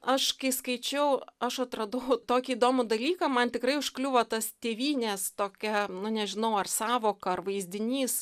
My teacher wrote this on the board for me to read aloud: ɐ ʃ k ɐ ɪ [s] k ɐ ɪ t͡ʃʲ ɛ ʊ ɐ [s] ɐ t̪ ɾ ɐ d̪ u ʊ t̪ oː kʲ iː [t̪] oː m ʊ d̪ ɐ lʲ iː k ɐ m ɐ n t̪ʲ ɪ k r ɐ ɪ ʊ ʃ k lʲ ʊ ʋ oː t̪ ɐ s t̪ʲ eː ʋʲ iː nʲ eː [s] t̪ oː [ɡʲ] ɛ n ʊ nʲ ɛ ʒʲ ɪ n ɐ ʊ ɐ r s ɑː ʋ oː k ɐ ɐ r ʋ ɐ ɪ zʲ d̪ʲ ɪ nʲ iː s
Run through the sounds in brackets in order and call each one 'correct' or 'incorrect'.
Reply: correct, incorrect: ʃ, incorrect: d̪, correct, incorrect: kʲ

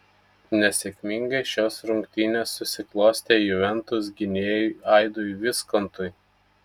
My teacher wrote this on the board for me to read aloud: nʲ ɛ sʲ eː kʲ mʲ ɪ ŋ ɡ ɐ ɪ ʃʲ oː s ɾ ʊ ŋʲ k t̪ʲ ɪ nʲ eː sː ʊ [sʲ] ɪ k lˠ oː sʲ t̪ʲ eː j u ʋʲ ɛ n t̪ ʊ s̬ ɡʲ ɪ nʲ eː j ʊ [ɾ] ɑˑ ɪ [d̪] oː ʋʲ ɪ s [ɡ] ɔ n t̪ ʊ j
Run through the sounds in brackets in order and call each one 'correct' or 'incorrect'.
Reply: correct, incorrect: none, correct, incorrect: k

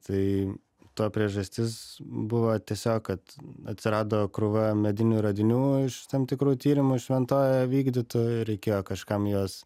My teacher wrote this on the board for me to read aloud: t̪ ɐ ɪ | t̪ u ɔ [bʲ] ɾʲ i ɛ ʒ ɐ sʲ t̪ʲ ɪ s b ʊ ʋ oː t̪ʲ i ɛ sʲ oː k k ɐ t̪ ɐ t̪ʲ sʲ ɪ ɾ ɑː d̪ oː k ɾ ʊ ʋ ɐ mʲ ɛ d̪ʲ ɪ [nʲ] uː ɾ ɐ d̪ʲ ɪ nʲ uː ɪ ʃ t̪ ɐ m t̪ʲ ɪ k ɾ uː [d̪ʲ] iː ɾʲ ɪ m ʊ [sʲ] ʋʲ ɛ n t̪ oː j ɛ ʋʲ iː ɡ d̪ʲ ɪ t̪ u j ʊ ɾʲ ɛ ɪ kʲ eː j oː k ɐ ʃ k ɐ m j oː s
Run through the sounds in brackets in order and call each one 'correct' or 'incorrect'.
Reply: incorrect: pʲ, correct, incorrect: t̪ʲ, incorrect: ʃʲ

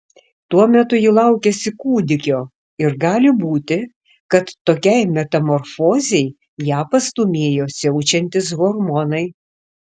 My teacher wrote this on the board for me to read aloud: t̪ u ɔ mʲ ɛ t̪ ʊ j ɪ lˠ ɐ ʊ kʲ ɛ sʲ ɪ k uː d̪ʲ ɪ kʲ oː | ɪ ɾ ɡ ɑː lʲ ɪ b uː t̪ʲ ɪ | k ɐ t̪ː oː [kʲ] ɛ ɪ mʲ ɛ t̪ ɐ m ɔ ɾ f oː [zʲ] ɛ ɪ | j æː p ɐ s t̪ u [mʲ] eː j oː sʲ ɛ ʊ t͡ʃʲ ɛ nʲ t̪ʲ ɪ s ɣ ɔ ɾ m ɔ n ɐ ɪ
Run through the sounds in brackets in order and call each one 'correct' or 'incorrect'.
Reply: correct, correct, correct

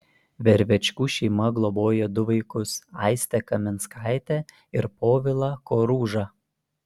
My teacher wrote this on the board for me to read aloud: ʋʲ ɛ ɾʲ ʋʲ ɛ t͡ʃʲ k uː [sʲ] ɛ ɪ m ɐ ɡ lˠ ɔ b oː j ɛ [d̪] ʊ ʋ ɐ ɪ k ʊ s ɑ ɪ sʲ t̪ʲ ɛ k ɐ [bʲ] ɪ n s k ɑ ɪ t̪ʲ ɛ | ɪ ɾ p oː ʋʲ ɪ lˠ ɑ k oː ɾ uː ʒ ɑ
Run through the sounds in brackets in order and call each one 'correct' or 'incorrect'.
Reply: incorrect: ʃʲ, correct, incorrect: mʲ

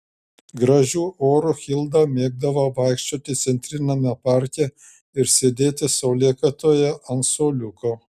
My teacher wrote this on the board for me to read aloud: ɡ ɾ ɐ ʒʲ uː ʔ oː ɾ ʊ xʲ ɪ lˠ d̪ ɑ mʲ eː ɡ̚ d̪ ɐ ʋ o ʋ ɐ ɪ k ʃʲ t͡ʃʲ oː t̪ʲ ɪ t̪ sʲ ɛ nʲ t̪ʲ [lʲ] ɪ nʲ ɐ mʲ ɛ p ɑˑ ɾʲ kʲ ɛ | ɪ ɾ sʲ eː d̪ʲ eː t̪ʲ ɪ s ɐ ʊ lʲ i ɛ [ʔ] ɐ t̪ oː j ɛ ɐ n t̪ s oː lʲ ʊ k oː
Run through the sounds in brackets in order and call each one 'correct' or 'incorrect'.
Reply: incorrect: ɾʲ, incorrect: k

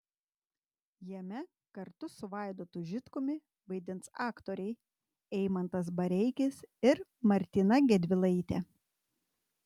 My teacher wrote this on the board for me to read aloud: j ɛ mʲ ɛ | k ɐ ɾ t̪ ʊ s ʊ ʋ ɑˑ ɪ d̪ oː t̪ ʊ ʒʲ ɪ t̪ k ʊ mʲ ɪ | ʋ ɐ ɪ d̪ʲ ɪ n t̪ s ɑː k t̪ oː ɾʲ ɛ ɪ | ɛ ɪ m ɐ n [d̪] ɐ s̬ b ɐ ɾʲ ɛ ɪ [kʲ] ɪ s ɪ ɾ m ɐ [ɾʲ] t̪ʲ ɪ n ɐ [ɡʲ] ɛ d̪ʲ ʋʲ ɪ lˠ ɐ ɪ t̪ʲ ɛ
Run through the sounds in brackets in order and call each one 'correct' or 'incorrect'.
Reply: incorrect: t̪, correct, correct, correct

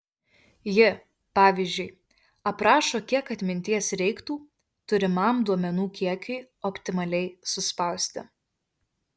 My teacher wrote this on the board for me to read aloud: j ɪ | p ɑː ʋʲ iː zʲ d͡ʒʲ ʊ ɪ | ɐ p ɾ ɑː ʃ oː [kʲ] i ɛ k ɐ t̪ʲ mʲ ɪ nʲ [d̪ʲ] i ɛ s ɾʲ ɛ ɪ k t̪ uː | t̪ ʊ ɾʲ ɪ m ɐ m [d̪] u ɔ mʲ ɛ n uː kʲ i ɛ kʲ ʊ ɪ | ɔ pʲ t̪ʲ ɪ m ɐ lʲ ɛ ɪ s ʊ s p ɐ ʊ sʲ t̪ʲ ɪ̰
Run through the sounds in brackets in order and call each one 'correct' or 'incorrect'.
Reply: correct, incorrect: t̪ʲ, correct

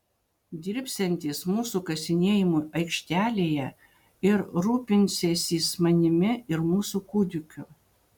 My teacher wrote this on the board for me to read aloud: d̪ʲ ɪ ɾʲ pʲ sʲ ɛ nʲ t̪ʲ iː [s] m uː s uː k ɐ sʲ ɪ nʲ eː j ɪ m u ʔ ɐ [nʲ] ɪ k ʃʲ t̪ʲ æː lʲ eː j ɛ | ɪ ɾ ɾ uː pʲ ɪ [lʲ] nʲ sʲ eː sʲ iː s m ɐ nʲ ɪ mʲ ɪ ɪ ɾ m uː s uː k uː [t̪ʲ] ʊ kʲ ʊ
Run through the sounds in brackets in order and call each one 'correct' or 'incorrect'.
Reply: correct, incorrect: none, incorrect: none, incorrect: d̪ʲ

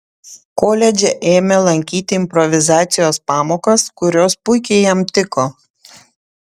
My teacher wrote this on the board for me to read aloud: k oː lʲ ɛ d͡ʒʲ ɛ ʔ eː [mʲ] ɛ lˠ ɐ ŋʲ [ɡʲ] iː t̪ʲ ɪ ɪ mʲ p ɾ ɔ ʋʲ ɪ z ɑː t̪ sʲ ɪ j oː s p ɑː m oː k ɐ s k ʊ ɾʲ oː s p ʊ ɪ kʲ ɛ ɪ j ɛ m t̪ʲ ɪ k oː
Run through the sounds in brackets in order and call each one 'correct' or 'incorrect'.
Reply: correct, incorrect: kʲ

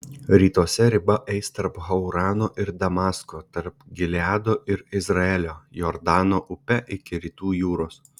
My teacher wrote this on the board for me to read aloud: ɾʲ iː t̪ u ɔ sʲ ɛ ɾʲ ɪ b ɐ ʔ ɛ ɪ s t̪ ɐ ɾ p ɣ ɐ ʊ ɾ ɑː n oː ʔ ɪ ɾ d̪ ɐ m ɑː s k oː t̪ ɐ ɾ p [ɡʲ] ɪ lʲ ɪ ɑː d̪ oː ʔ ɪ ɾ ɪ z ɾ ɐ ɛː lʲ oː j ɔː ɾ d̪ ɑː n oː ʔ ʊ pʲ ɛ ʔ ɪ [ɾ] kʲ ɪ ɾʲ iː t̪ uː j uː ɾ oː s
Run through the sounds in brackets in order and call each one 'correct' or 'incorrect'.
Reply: correct, incorrect: none

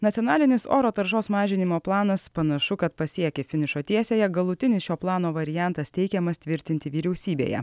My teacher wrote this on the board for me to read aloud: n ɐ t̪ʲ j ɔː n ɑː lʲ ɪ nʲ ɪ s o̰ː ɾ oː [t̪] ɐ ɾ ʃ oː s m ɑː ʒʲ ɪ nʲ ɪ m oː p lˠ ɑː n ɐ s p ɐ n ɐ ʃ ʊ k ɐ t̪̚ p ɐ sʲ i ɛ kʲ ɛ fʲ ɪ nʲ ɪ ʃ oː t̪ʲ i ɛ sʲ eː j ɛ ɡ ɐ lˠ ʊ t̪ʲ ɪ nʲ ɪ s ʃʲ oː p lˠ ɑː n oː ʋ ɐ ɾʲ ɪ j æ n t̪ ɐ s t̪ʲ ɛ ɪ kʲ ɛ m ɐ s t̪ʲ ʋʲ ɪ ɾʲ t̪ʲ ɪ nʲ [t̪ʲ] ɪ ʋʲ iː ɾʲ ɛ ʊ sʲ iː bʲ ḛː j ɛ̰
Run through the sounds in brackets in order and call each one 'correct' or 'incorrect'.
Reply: correct, correct

